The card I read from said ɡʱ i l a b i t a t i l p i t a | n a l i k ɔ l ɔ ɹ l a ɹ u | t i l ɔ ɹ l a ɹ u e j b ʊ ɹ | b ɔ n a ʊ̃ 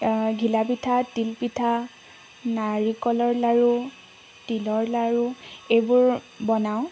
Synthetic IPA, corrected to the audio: ɡʱ i l a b i tʰ a t i l p i tʰ a | n a ɹ i k ɔ l ɔ ɹ l a ɹ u | t i l ɔ ɹ l a ɹ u e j b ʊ ɹ | b ɔ n a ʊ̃

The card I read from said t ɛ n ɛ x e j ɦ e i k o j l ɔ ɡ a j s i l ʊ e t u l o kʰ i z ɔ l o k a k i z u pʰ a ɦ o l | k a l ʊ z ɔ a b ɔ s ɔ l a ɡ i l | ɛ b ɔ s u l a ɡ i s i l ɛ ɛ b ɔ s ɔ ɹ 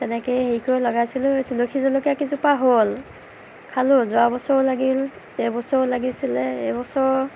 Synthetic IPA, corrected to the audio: t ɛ n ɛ k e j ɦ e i k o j l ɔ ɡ a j s i l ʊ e t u l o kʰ i z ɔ l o k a k i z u p a ɦ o l | kʰ a l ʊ z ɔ a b ɔ s ɔ l a ɡ i l | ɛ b ɔ s ɔ l a ɡ i s i l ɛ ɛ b ɔ s ɔ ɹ

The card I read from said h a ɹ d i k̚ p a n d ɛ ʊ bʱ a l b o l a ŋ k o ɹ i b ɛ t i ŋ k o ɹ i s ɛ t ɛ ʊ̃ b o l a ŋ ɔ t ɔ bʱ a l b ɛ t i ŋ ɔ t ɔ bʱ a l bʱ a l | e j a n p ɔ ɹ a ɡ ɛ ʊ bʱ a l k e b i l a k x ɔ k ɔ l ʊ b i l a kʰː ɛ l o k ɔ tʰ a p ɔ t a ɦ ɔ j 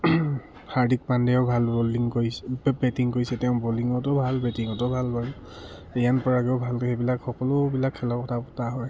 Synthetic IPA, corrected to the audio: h a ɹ d i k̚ p a n d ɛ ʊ bʱ a l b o l i ŋ k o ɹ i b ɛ t i ŋ k o ɹ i s ɛ t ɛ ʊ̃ b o l i ŋ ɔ t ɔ bʱ a l b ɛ t i ŋ ɔ t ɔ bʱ a l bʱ a l | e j a n p ɔ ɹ a ɡ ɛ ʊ bʱ a l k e b i l a k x ɔ k ɔ l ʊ b i l a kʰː ɛ l ɔ k ɔ tʰ a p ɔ t a ɦ ɔ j

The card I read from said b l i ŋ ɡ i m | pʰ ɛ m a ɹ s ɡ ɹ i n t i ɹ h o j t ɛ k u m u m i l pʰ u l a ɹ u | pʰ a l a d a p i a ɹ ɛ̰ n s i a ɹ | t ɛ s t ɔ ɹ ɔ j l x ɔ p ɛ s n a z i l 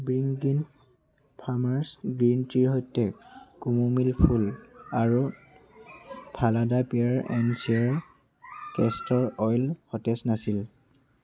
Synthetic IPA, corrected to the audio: b ɹ i ŋ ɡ i n | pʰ a m a ɹ s ɡ ɹ i n t i ɹ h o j t ɛ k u m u m i l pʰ u l a ɹ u | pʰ a l a d a p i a ɹ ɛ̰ n s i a ɹ | k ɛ s t ɔ ɹ ɔ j l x ɔ t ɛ s n a s i l

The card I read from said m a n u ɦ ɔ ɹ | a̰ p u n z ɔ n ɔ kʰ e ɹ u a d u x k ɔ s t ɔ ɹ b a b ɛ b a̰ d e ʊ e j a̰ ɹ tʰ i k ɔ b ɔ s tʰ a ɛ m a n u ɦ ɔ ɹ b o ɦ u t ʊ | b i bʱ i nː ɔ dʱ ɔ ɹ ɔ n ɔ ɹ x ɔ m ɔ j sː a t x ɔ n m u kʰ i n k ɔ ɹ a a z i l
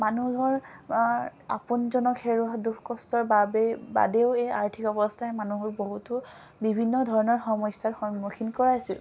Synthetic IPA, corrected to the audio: m a n u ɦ ɔ ɹ | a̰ p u n z ɔ n ɔ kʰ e ɹ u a d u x k ɔ s t ɔ ɹ b a b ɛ b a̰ d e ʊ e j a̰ ɹ tʰ i k ɔ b ɔ s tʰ a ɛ m a n u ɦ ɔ ɹ b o ɦ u t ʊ | b i bʱ i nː ɔ dʱ ɔ ɹ ɔ n ɔ ɹ x ɔ m ɔ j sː a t x ɔ n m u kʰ i n k ɔ ɹ a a s i l

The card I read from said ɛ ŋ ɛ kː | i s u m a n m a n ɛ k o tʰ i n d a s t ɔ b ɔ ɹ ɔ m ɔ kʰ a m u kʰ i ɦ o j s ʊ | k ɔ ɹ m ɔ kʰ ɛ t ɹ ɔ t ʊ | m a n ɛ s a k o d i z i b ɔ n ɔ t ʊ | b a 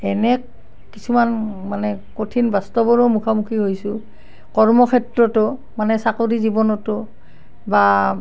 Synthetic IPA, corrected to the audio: ɛ n ɛ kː | i s u m a n m a n ɛ k o tʰ i n b a s t ɔ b ɔ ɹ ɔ m u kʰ a m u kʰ i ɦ o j s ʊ | k ɔ ɹ m ɔ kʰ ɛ t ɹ ɔ t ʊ | m a n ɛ s a k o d i z i b ɔ n ɔ t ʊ | b a

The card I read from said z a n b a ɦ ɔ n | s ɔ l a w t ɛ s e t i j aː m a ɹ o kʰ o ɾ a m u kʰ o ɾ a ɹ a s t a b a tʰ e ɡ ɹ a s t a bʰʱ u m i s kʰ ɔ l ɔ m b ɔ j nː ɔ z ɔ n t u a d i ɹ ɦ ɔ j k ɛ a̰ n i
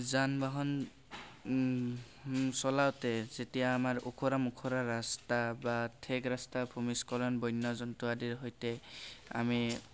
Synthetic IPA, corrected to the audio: z a n b a ɦ ɔ n | s ɔ l a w t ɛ z e t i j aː m a ɹ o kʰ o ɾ a m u kʰ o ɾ a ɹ a s t a b a tʰ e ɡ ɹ a s t a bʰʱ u m i s k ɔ l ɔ n b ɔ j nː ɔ z ɔ n t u a d i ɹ ɦ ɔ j t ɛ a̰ m i

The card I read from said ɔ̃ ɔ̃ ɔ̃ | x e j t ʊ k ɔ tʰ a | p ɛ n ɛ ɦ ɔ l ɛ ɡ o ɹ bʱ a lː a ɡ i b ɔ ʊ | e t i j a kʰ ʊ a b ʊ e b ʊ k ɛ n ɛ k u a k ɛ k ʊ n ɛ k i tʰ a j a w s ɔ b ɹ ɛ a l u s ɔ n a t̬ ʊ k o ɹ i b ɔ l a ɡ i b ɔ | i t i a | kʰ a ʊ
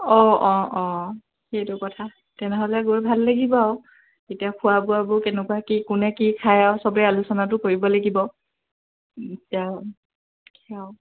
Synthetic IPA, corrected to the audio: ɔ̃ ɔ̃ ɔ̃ | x e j t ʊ k ɔ tʰ a | t ɛ n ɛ ɦ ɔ l ɛ ɡ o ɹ bʱ a lː a ɡ i b ɔ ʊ | e t i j a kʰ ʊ a b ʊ a b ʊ k ɛ n ɛ k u a k i k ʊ n ɛ k i kʰ a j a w s ɔ b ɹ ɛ a l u s ɔ n a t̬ ʊ k o ɹ i b ɔ l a ɡ i b ɔ | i t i a | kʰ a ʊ

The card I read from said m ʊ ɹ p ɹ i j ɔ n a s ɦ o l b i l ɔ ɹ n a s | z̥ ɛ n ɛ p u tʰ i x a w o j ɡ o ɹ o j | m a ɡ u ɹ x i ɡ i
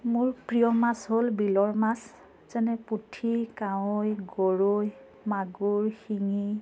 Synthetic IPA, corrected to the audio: m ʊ ɹ p ɹ i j ɔ m a s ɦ o l b i l ɔ ɹ m a s | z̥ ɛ n ɛ p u tʰ i k a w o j ɡ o ɹ o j | m a ɡ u ɹ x i ŋ i

